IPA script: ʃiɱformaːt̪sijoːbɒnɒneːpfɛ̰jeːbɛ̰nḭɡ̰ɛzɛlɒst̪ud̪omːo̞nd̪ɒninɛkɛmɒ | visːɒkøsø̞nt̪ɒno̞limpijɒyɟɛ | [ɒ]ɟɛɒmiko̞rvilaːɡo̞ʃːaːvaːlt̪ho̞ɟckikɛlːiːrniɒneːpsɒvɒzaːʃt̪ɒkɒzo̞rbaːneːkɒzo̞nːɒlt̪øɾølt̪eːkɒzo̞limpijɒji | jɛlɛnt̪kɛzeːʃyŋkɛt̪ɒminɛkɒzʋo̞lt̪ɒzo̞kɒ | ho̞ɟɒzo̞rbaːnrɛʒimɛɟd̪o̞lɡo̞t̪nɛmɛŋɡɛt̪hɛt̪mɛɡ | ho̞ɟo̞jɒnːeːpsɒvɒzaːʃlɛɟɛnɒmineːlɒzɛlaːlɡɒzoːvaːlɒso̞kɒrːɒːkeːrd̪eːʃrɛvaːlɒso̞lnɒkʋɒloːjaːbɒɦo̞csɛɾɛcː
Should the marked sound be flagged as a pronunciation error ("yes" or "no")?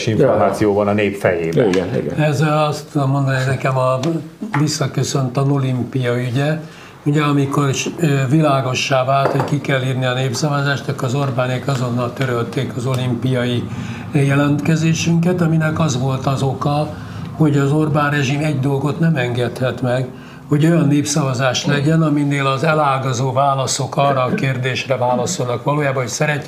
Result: yes